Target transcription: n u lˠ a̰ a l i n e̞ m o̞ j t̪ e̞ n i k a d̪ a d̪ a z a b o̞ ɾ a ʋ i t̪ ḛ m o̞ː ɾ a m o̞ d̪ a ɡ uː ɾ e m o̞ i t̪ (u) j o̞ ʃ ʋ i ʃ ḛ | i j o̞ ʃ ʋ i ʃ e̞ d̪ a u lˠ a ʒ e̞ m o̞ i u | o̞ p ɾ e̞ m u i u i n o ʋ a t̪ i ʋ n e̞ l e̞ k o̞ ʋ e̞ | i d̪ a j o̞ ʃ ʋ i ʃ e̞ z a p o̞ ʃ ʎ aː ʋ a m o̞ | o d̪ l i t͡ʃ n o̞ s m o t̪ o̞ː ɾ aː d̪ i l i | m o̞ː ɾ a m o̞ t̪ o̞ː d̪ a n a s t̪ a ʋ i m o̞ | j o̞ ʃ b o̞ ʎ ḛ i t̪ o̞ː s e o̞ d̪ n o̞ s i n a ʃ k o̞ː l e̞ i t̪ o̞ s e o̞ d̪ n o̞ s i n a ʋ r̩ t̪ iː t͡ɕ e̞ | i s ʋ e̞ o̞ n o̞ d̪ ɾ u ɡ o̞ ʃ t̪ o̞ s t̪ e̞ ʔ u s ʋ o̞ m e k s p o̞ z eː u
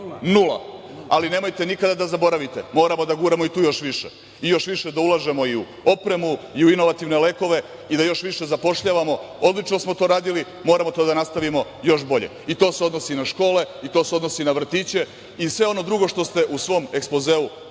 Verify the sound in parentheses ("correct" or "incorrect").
incorrect